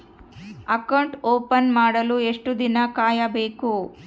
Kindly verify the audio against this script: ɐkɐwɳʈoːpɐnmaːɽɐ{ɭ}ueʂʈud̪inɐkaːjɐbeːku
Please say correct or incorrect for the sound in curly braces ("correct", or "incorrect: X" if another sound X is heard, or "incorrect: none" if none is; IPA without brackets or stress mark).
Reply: incorrect: l